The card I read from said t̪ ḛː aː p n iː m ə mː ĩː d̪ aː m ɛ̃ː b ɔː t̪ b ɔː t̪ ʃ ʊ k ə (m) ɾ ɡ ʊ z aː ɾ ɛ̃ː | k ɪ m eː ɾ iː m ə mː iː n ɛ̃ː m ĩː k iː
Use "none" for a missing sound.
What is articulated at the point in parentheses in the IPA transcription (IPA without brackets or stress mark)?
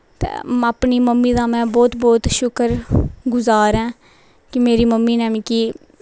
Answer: none